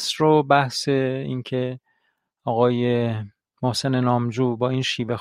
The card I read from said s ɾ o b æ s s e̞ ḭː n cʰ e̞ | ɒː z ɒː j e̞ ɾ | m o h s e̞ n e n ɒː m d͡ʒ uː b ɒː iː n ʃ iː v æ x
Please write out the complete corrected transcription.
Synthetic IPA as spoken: s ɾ o b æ h s e̞ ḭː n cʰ e̞ | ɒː ɣ ɒː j e̞ | m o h s e̞ n e n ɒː m d͡ʒ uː b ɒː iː n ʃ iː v e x